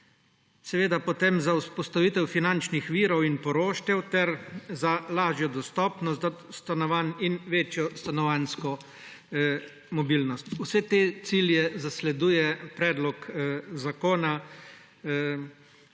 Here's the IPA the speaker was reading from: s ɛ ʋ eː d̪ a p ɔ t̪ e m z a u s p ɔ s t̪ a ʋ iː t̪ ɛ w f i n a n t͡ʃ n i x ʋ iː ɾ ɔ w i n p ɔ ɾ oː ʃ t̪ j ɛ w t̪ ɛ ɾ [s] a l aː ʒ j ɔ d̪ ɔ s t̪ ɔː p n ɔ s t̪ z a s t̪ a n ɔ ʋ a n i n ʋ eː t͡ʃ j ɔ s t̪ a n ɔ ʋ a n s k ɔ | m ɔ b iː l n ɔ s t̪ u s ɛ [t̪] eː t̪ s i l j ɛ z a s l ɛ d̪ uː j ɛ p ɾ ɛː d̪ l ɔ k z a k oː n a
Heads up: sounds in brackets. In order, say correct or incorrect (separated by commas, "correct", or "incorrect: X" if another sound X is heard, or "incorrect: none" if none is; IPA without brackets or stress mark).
incorrect: z, correct